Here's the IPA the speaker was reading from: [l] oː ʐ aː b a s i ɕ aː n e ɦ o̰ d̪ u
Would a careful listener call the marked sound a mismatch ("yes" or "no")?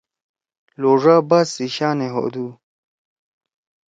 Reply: no